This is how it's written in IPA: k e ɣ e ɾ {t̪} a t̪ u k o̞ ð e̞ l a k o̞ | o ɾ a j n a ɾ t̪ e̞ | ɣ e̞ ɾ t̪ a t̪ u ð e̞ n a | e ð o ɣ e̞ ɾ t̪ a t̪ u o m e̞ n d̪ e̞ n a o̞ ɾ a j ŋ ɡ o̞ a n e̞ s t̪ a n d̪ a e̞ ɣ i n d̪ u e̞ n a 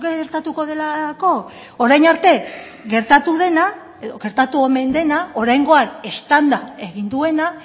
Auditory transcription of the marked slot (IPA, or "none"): t̪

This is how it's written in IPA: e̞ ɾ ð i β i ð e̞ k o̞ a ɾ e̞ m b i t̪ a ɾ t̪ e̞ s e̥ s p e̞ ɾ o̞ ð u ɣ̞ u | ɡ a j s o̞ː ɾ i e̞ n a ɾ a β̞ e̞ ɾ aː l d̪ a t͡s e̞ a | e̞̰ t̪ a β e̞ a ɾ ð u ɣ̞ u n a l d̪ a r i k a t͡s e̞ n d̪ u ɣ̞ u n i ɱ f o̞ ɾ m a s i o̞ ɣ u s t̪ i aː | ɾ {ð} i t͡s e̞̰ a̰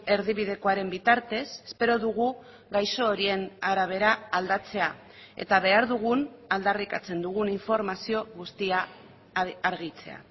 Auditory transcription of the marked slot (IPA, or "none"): ɣ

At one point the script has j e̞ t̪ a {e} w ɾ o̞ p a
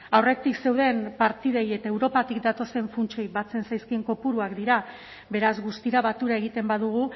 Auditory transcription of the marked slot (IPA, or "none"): e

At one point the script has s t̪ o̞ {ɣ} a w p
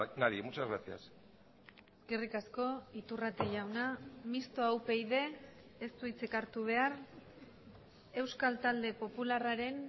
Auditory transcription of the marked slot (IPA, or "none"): none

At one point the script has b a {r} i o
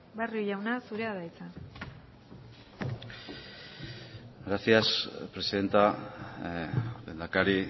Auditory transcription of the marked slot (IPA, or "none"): r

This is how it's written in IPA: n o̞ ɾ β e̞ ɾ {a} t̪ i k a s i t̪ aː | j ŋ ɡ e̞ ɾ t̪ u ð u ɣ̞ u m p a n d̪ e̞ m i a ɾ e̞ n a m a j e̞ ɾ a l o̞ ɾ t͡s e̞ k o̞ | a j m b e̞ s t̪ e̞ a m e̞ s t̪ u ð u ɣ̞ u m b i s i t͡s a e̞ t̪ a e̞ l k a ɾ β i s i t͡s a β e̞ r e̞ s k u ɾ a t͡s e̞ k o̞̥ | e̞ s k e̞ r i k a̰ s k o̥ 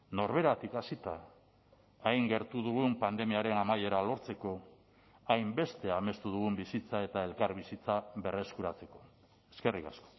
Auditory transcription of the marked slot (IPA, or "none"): a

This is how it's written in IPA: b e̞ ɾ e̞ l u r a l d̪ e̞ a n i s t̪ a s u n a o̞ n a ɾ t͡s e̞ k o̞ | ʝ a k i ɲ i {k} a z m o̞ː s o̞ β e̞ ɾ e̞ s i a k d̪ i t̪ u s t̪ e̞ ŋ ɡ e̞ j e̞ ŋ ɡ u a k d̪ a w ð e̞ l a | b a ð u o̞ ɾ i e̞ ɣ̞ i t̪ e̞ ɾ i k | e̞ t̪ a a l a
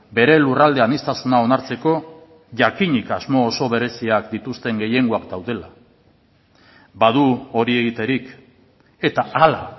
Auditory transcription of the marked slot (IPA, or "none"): k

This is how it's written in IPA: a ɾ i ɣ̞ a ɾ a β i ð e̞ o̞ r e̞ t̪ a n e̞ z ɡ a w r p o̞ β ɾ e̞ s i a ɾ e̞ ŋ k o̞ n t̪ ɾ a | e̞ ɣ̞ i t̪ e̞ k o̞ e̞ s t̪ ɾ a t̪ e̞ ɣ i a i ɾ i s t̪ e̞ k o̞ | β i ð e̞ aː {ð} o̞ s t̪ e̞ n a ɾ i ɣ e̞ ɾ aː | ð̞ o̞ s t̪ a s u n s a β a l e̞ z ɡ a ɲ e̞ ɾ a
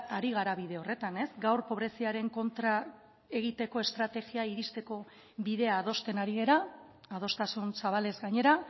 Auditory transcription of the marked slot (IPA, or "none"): ð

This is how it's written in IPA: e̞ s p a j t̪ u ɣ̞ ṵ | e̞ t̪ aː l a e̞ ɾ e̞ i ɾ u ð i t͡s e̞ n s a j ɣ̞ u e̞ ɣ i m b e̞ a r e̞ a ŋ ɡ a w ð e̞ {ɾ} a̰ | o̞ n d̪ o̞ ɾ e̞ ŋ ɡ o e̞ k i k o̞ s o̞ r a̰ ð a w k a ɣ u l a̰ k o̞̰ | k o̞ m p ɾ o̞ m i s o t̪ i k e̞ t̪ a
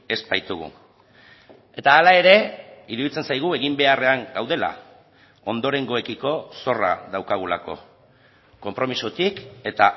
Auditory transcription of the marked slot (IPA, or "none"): l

